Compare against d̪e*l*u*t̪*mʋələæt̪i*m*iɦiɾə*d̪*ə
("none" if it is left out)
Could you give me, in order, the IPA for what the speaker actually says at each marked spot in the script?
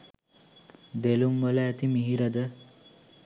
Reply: l, none, m, d̪

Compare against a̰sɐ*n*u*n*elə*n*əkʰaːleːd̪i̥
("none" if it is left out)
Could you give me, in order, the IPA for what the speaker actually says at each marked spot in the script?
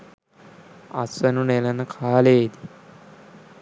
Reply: n, n, n

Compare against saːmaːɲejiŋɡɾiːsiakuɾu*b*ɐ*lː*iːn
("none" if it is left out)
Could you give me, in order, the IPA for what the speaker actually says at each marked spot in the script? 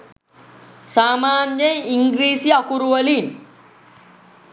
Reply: w, l

